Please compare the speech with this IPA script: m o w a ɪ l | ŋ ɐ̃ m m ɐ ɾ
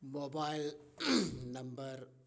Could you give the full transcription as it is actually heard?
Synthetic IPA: m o b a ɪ l | n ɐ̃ m b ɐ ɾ